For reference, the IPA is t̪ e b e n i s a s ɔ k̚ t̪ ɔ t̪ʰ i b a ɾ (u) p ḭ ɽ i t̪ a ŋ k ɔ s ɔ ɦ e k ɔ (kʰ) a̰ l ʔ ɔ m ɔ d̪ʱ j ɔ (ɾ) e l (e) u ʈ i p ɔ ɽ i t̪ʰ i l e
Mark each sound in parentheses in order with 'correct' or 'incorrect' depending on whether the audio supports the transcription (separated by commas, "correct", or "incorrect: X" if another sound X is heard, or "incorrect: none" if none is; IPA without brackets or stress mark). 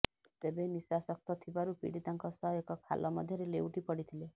correct, correct, correct, correct